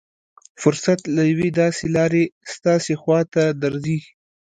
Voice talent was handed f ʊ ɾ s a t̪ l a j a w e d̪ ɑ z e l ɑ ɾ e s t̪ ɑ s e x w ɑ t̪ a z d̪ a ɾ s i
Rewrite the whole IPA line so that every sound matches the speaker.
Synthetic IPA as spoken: f ʊ ɾ s a t̪ l a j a w e d̪ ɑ s e l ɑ ɾ e s t̪ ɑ s e x w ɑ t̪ a d̪ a ɾ z i